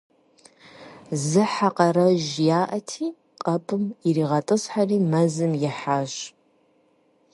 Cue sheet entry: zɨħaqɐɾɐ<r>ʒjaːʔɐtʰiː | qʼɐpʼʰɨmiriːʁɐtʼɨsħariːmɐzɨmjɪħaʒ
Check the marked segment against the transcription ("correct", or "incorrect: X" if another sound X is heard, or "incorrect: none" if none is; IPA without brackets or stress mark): incorrect: none